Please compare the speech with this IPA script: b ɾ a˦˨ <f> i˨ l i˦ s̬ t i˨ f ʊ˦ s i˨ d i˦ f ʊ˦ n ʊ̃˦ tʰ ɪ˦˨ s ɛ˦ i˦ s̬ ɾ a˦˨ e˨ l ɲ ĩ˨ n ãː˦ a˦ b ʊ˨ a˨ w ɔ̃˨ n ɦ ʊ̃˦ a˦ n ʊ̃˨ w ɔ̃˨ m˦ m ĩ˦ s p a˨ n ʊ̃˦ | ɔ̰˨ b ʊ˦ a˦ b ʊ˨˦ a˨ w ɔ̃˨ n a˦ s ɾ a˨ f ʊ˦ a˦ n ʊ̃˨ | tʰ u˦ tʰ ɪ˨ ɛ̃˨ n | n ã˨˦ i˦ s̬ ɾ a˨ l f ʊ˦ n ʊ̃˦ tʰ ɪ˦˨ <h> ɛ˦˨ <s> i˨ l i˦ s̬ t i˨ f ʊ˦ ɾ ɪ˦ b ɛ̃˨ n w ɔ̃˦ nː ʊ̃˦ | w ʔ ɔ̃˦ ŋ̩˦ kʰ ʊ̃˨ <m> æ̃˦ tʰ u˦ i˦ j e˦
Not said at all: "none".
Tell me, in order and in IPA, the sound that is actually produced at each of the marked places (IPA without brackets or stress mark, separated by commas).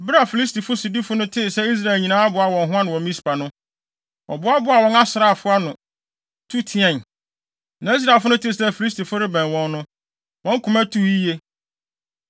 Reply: f, s, f, m